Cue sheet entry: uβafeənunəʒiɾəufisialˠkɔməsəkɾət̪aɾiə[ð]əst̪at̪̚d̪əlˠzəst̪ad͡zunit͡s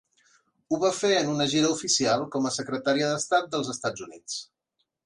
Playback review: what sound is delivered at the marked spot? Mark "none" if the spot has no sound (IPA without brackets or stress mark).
ð